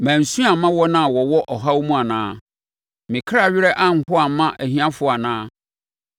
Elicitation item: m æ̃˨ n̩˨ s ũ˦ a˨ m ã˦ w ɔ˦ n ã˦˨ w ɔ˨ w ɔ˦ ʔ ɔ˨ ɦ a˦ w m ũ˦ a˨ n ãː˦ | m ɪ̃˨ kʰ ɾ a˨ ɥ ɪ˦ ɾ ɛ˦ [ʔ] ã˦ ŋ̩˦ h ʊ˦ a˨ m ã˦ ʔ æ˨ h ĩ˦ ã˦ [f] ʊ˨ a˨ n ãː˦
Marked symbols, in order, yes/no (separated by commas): yes, yes